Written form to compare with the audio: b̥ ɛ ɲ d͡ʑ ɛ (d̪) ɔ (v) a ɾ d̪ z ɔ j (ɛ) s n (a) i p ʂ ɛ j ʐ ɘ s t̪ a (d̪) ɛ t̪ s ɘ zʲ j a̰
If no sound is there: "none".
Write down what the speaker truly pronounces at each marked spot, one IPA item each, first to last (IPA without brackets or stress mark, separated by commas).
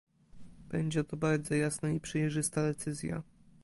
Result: t̪, b, a, a, d̪